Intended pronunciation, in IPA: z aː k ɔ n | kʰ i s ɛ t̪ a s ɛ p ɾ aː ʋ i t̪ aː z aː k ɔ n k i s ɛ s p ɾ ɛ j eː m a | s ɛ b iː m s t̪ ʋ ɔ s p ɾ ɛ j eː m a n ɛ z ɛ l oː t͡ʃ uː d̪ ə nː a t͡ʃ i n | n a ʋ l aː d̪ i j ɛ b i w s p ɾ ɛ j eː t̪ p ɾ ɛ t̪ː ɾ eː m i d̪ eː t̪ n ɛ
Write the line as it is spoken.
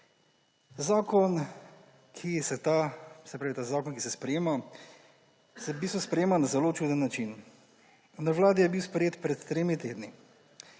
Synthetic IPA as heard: z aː k ɔ n | kʰ i s ɛ t̪ a s ɛ p ɾ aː ʋ i t̪ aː z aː k ɔ n k i s ɛ s p ɾ ɛ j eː m a | s ɛ b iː s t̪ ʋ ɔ s p ɾ ɛ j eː m a n a z ɛ l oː t͡ʃ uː d̪ ə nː a t͡ʃ i n | n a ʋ l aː d̪ i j ɛ b i w s p ɾ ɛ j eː t̪ p ɾ ɛ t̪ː ɾ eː m i t̪ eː d̪ n i

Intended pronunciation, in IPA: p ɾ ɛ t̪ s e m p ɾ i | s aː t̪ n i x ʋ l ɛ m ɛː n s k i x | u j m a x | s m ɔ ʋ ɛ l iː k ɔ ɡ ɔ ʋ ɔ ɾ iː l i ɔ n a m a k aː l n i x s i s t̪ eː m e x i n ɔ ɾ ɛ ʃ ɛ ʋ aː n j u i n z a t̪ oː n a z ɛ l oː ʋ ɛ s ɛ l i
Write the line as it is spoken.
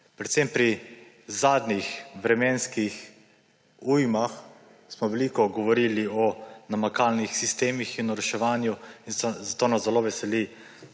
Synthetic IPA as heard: p ɾ ɛ t̪ s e m p ɾ i | z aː d̪ n i x ʋ ɾ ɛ m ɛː n s k i x | u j m a x | s m ɔ ʋ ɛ l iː k ɔ ɡ ɔ ʋ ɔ ɾ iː l i ɔ n a m a k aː l n i x s i s t̪ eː m i x i n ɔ ɾ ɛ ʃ ɛ ʋ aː n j u i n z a t̪ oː n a z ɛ l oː ʋ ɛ s ɛ l i

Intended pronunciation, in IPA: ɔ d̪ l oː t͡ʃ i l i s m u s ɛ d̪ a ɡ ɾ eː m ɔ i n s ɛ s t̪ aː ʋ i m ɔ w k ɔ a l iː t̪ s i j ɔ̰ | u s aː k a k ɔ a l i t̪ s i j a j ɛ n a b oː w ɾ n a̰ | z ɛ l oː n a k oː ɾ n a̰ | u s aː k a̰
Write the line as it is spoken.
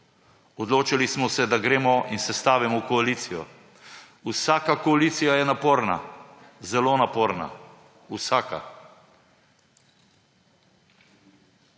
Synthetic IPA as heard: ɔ d̪ l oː t͡ʃ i l i s m ɔ s ɛ d̪ a ɡ ɾ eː m ɔ i n s ɛ s t̪ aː ʋ i m ɔ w k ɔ a l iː t̪ s i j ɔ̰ | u s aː k a k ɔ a l i t̪ s i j a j ɛ n a p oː ɾ n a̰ | z ɛ l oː n a p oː ɾ n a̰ | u s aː k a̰

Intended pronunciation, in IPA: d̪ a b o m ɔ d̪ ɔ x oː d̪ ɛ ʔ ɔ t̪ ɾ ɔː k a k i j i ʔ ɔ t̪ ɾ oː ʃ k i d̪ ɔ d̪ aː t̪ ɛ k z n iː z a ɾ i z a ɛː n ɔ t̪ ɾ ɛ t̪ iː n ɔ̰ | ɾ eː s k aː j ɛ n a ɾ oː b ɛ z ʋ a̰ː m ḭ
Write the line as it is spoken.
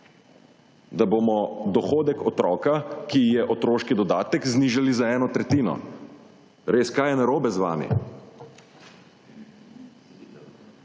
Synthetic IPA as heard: d̪ a b o m ɔ d̪ ɔ x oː d̪ ɛ k ɔ t̪ ɾ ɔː k a k i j ɛ ʔ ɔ t̪ ɾ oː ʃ k i d̪ ɔ d̪ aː t̪ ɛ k z n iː ʒ a l i z a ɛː n ɔ t̪ ɾ ɛ t̪ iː n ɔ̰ | ɾ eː s k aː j ɛ n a ɾ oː b ɛ z ʋ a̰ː m ḭ

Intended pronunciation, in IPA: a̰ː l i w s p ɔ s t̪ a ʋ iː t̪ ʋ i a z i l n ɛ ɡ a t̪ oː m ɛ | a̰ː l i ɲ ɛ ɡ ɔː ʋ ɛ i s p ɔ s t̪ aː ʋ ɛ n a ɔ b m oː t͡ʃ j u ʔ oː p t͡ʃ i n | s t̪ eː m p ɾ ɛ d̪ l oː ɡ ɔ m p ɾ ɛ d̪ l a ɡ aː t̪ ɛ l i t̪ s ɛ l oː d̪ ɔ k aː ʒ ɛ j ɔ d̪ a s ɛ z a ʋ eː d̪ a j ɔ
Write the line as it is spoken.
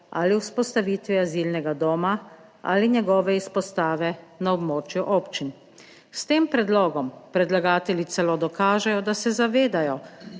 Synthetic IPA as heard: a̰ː l i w s p ɔ s t̪ a ʋ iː t̪ ʋ i a z i l n ɛ ɡ a d̪ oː m a | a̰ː l i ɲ ɛ ɡ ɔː ʋ ɛ i s p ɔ s t̪ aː ʋ ɛ n a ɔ b m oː t͡ʃ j u ʔ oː p t͡ʃ i n | s t̪ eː m p ɾ ɛ d̪ l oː ɡ ɔ m p ɾ ɛ d̪ l a ɡ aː t̪ ɛ l i t̪ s ɛ l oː d̪ ɔ k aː ʒ ɛ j ɔ d̪ a s ɛ z a ʋ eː d̪ a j ɔ

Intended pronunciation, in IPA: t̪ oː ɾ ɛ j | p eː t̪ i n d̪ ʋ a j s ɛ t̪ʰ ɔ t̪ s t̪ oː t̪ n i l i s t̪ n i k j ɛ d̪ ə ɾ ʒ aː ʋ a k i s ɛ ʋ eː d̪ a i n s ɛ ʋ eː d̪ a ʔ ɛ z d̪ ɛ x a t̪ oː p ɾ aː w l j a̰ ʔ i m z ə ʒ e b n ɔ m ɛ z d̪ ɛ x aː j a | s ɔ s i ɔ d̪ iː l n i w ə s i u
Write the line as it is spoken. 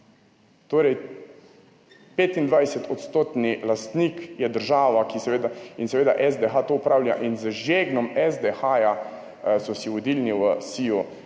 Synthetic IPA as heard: t̪ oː ɾ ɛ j | p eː t̪ i n d̪ ʋ a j s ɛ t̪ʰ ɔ t̪ s t̪ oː t̪ n i l a s t̪ n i k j ɛ d̪ ə ɾ ʒ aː ʋ a k i s ɛ ʋ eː d̪ a i n s ɛ ʋ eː d̪ a ʔ ɛ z d̪ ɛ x a t̪ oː p ɾ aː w l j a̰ ʔ i n z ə ʒ e ɡ n ɔ m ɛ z d̪ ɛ x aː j a | s ɔ s i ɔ d̪ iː l n i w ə s i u

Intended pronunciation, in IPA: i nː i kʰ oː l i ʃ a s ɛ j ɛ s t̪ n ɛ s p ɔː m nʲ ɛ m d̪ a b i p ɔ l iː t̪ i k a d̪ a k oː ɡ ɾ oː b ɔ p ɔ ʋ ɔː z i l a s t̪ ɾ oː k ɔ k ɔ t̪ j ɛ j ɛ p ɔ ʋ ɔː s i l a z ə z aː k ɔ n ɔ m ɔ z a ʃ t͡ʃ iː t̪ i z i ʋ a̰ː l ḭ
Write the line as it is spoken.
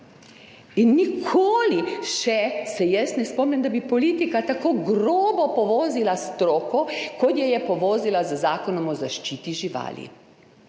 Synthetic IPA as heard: i nː i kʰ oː l i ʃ ɛ s ɛ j ɛ s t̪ n ɛ s p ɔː m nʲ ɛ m d̪ a b i p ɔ l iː t̪ i k a t̪ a k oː ɡ ɾ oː b ɔ p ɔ ʋ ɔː z i l a s t̪ ɾ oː k ɔ k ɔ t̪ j ɛ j ɛ p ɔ ʋ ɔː z i l a z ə z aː k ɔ n ɔ m ɔ z a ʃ t͡ʃ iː t̪ i ʒ i ʋ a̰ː l ḭ

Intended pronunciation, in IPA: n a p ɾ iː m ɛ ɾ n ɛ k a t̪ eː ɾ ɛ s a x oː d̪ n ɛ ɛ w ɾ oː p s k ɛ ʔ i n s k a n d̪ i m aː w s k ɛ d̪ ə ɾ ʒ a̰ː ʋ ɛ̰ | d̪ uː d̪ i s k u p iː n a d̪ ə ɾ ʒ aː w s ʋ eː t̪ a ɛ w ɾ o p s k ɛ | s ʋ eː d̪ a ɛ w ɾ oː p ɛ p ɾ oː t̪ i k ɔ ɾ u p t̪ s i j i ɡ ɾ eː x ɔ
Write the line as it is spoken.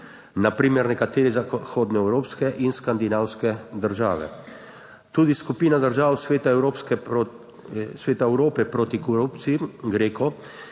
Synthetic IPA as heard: n a p ɾ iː m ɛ ɾ n ɛ k a t̪ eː ɾ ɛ z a x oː d̪ n ɛ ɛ w ɾ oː p s k ɛ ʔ i n s k a n d̪ i n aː w s k ɛ d̪ ə ɾ ʒ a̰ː ʋ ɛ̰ | t̪ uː d̪ i s k u p iː n a d̪ ə ɾ ʒ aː w s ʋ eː t̪ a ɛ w ɾ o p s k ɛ | s ʋ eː t̪ a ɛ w ɾ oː p ɛ p ɾ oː t̪ i k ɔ ɾ u p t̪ s i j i ɡ ɾ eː k ɔ

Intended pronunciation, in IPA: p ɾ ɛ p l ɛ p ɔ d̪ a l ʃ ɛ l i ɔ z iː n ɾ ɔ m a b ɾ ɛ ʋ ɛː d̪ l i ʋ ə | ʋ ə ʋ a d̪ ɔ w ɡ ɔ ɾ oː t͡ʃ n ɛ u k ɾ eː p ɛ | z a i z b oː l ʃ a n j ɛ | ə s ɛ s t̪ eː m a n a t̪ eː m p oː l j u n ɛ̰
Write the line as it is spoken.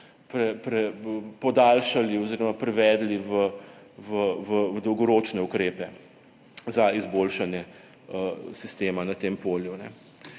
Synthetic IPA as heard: p ɾ ɛ p ɾ ɛ p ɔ d̪ a l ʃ a l i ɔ z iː ɾ ɔ m a p ɾ ɛ ʋ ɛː d̪ l i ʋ ə | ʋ ə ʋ ə d̪ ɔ w ɡ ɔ ɾ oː t͡ʃ n ɛ u k ɾ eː p ɛ | z a i z b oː l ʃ a n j ɛ | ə s i s t̪ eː m a n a t̪ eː m p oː l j u n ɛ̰

